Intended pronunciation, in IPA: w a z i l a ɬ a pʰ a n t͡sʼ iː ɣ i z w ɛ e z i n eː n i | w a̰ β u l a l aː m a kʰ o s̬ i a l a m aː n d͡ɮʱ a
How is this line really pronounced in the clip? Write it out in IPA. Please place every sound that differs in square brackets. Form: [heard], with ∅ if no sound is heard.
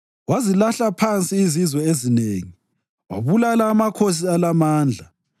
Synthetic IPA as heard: w a z i l a ɬ a pʰ a n t͡sʼ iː [z] i z w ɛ e z i n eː [ŋ] i | w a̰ β u l a l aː m a kʰ o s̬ i a l a m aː n d͡ɮʱ a